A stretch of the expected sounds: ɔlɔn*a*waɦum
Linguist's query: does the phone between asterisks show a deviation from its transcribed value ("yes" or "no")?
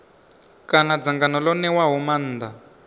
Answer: yes